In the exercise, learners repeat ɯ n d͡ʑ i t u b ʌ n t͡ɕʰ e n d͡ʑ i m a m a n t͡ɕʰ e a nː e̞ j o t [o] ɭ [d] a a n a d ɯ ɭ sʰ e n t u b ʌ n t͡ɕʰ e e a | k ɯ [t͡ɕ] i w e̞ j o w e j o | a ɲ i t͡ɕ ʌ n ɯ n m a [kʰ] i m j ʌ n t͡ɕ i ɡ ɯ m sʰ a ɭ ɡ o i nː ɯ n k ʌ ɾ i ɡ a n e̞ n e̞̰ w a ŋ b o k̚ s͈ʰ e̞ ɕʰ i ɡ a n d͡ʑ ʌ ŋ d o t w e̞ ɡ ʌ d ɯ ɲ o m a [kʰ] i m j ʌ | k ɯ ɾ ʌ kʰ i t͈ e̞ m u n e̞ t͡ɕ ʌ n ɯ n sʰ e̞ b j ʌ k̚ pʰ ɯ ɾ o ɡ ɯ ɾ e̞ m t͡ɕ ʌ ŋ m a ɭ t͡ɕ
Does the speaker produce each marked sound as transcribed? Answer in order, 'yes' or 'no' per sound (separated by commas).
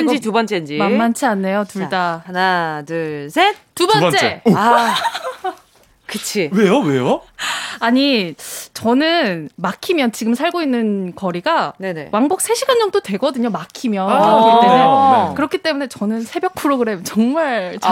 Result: no, yes, no, yes, yes